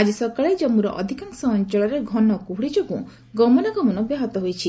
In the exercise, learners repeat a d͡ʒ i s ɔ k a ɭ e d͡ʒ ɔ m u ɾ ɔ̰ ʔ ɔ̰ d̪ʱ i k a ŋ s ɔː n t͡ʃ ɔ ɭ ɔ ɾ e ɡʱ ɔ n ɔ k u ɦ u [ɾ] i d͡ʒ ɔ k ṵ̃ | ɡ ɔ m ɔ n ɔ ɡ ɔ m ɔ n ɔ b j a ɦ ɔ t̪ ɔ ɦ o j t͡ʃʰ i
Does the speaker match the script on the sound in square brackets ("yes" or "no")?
no